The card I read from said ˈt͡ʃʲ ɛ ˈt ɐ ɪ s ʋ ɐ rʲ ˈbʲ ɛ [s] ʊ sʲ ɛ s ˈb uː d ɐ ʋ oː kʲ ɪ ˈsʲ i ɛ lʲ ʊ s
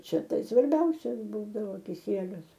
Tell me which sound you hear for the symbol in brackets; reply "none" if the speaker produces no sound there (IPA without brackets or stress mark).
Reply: none